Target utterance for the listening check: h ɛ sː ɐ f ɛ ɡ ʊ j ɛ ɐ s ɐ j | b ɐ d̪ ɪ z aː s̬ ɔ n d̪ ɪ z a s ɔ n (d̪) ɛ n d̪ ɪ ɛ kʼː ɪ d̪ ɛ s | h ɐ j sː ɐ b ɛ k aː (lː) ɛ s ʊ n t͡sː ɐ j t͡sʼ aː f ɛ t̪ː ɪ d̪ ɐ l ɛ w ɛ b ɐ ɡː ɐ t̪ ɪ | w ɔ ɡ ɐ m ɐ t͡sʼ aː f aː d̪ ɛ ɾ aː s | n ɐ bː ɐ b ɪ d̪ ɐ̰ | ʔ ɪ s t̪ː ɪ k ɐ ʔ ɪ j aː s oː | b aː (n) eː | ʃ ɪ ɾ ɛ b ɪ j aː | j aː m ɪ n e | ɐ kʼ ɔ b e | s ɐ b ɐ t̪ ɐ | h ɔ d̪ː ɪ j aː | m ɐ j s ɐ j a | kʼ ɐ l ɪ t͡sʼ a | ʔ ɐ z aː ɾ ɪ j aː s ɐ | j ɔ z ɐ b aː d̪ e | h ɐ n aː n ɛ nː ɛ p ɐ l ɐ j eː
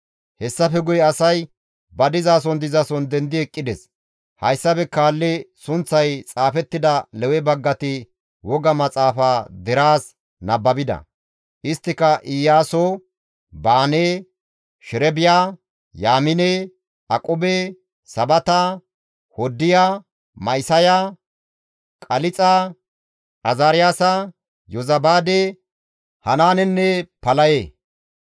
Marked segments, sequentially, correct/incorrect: correct, correct, correct

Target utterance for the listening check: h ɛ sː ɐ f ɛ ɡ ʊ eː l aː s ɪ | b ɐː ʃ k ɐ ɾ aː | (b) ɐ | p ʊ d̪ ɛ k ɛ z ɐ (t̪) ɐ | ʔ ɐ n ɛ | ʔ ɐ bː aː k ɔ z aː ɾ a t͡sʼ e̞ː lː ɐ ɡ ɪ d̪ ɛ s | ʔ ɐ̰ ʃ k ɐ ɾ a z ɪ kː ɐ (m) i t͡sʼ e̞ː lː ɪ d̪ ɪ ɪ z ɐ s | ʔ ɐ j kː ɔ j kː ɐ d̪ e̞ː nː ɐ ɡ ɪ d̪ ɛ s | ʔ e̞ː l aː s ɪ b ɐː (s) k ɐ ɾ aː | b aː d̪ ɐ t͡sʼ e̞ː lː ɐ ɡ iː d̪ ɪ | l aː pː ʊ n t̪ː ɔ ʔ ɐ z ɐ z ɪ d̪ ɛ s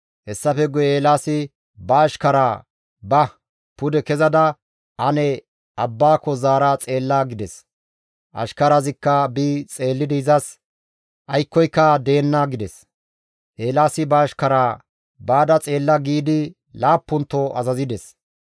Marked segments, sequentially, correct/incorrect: correct, incorrect: d̪, incorrect: b, incorrect: ʃ

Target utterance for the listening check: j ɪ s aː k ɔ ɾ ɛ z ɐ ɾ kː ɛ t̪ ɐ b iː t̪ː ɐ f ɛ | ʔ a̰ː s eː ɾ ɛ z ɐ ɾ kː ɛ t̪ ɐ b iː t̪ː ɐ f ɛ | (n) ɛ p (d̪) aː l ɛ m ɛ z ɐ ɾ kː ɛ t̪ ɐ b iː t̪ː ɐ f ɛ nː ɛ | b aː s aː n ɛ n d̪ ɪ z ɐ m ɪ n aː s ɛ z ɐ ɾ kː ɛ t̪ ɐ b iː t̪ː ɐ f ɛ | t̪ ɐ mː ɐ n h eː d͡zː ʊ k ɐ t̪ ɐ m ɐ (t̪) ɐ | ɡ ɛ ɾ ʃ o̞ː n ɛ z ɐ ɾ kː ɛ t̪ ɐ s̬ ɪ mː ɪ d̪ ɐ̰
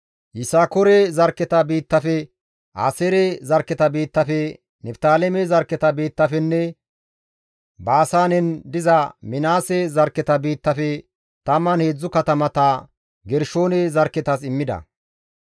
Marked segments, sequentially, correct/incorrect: correct, incorrect: t̪, correct

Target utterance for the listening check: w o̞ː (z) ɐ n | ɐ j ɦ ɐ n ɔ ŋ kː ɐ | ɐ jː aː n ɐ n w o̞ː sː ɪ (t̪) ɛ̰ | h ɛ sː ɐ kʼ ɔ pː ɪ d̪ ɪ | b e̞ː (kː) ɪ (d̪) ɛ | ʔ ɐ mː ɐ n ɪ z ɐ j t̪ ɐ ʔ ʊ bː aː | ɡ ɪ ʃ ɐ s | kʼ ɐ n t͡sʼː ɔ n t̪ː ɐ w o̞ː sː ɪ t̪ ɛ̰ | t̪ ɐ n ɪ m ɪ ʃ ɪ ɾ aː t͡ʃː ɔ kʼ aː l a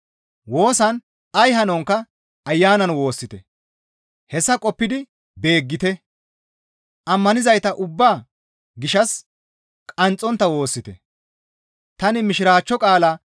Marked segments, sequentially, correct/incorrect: incorrect: s, correct, incorrect: ɡː, incorrect: t̪

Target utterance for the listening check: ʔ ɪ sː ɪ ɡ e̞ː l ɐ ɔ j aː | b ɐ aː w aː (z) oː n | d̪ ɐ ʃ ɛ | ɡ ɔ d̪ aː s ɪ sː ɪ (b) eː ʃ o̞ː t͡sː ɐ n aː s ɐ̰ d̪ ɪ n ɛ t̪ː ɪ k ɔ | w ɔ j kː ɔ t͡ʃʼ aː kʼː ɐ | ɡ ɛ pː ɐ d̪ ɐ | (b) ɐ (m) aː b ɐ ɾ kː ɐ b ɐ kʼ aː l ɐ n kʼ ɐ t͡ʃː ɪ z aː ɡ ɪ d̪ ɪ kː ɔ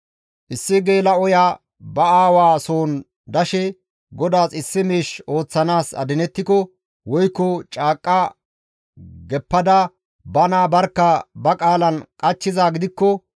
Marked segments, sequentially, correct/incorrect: incorrect: s, incorrect: m, correct, incorrect: n

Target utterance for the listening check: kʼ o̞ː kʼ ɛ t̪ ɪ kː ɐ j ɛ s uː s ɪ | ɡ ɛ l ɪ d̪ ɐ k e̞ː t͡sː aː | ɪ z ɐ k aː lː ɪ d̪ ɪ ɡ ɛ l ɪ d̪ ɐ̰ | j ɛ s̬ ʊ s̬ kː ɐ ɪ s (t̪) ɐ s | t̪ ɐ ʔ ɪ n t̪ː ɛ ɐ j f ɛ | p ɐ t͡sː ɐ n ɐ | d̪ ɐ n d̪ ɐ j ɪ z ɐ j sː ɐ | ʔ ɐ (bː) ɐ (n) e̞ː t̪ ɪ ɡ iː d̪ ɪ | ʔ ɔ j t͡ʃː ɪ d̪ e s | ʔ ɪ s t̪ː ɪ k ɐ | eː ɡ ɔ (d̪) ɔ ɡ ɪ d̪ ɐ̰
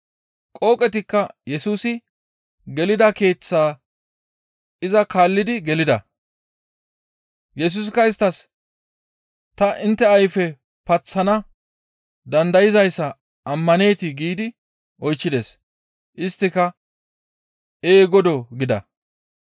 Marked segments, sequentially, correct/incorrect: correct, incorrect: mː, correct, correct

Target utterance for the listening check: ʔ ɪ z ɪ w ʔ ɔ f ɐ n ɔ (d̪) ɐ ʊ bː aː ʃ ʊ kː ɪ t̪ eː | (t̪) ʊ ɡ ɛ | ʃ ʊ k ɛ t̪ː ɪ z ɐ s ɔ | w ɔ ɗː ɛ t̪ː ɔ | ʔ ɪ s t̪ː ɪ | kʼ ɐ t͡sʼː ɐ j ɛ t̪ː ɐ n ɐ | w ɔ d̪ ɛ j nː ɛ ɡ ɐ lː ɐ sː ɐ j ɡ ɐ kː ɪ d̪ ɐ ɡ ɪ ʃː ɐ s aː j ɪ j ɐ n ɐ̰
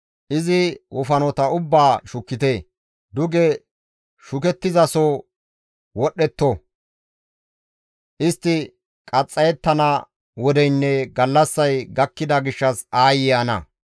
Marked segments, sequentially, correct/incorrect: incorrect: t̪, incorrect: d̪

